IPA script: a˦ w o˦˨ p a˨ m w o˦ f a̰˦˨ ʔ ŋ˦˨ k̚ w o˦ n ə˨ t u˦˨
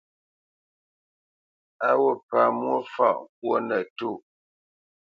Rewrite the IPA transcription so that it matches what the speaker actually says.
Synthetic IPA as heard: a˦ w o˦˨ p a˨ m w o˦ f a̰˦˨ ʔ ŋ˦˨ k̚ w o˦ n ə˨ t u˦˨